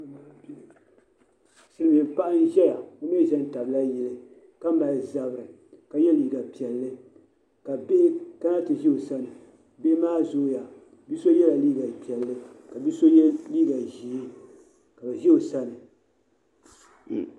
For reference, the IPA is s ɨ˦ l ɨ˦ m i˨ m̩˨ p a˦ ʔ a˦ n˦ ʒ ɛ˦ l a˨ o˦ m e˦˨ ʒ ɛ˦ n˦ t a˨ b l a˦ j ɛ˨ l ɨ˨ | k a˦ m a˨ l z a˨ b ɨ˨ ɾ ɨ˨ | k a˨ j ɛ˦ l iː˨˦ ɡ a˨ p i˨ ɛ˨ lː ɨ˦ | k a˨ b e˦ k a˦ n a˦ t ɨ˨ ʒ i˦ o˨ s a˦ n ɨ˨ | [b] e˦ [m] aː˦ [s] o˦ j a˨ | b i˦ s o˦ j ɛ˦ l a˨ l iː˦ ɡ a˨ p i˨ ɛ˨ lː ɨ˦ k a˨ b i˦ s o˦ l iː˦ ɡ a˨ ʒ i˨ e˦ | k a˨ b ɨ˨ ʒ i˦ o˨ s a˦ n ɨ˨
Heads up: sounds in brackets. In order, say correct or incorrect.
correct, correct, incorrect: z

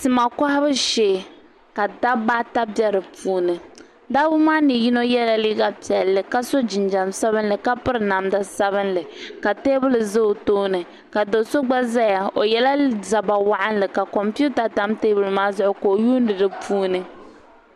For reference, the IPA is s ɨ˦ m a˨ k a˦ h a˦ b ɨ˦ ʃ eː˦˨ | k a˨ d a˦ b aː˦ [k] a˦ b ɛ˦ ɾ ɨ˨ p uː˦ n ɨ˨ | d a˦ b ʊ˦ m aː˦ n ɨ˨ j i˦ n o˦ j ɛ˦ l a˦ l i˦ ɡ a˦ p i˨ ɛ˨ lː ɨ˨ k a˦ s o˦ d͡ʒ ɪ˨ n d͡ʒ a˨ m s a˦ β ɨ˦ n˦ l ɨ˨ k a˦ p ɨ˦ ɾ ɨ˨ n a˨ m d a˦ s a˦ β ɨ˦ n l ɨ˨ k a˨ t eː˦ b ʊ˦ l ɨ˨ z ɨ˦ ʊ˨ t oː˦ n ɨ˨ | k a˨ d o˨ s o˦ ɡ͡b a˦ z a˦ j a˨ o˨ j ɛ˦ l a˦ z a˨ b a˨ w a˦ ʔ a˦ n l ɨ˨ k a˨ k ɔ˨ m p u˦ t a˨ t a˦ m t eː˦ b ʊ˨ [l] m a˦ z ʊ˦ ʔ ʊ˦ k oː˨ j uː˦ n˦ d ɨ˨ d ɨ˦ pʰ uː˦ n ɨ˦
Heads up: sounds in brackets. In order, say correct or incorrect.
incorrect: t, correct

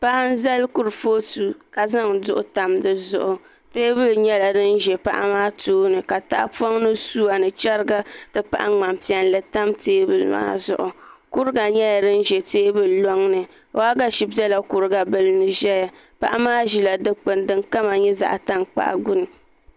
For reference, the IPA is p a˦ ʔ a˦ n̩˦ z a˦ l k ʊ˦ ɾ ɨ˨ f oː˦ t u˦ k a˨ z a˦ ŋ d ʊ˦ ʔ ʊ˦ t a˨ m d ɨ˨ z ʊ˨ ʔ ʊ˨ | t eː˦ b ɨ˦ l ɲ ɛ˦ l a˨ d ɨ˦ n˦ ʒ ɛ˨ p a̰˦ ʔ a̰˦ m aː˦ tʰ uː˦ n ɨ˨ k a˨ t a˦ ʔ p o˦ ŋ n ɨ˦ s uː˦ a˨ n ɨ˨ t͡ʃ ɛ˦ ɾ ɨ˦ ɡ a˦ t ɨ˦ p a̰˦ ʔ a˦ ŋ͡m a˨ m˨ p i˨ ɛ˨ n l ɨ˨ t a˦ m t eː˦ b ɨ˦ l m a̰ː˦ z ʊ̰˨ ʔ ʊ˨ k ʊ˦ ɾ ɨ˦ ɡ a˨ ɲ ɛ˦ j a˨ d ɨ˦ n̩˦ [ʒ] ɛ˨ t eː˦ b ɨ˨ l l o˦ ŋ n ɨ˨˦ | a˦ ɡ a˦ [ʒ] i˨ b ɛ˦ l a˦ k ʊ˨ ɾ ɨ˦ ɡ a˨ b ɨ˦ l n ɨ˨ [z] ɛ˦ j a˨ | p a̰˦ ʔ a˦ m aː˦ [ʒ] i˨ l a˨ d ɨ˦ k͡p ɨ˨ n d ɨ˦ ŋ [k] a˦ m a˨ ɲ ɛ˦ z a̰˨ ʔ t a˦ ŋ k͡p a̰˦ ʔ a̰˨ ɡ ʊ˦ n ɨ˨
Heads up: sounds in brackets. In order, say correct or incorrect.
correct, incorrect: ʃ, incorrect: ʒ, correct, correct

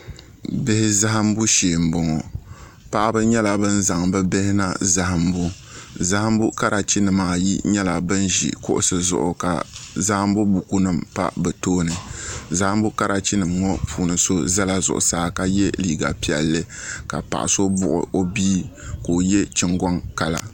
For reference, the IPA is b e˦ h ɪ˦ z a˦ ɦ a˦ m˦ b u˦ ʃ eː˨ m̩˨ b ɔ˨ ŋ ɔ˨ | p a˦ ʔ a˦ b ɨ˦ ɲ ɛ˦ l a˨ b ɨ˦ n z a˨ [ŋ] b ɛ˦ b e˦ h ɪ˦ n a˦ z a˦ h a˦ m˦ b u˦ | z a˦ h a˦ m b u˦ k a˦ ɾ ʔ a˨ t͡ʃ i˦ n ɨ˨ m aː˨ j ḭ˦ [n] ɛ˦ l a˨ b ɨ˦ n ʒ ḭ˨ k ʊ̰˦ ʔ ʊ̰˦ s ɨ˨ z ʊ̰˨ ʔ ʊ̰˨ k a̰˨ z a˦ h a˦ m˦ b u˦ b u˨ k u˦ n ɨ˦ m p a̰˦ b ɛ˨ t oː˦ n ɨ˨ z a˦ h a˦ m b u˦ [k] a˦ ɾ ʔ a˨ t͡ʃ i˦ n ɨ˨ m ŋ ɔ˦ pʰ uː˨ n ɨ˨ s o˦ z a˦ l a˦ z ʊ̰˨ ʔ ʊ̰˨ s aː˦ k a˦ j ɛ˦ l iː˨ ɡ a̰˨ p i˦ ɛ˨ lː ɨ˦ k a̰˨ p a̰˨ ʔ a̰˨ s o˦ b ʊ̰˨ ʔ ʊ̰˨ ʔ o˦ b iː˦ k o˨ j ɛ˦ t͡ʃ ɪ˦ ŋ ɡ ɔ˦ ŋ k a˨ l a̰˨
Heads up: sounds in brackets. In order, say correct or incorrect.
correct, incorrect: ɲ, correct

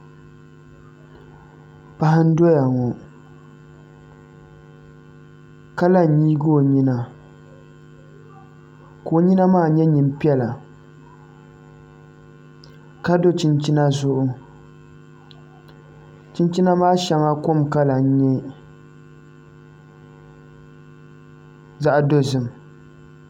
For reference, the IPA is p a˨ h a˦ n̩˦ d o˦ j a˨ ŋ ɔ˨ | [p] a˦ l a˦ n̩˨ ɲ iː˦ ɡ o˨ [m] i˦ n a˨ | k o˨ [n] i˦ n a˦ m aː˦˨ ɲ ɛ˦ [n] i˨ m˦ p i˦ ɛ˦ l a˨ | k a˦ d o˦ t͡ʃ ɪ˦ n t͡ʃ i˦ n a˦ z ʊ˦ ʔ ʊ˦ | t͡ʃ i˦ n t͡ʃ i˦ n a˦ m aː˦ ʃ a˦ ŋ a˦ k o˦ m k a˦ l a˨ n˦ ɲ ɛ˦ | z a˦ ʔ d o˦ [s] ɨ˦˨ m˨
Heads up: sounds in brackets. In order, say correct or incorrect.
incorrect: k, incorrect: ɲ, incorrect: ɲ, incorrect: ɲ, incorrect: z

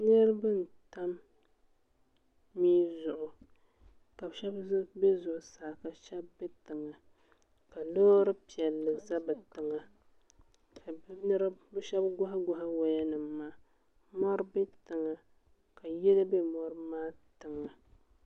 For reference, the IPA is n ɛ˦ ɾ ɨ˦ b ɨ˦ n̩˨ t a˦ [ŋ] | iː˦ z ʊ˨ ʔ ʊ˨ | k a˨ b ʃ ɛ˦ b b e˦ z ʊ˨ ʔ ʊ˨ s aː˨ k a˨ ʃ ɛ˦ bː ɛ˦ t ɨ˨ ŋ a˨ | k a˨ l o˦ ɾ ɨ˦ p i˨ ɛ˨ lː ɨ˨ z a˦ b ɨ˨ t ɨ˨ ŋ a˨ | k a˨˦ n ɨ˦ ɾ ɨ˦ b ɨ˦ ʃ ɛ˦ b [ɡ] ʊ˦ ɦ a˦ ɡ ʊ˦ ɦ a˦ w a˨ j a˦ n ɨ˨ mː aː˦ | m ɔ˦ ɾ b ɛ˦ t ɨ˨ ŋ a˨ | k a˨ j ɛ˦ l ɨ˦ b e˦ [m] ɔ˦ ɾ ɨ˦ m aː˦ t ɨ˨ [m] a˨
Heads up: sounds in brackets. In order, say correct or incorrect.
incorrect: m, correct, correct, incorrect: ŋ

